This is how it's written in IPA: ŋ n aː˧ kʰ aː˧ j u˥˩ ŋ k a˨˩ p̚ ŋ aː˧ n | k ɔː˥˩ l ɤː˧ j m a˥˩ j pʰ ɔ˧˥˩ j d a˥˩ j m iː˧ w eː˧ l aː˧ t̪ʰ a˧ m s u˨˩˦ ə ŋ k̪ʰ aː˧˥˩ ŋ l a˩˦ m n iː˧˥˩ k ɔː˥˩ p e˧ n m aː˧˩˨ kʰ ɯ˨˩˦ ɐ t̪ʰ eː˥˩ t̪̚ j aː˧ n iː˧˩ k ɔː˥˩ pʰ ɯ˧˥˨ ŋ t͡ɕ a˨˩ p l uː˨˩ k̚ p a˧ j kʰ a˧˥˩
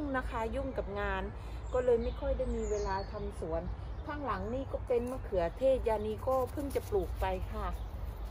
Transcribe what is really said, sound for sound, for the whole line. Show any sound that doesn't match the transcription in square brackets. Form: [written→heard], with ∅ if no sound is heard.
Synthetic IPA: ŋ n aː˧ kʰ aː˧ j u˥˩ ŋ k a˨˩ p̚ ŋ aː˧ n | k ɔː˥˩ l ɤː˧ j m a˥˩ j [pʰ→kʰ] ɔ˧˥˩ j d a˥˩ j m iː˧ w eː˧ l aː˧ t̪ʰ a˧ m s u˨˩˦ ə [ŋ→n] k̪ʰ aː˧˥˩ ŋ l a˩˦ [m→ŋ] n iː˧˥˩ k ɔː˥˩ p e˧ n m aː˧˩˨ kʰ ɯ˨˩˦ ɐ t̪ʰ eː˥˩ t̪̚ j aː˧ n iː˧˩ k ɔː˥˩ pʰ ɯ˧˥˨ ŋ t͡ɕ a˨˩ p l uː˨˩ k̚ p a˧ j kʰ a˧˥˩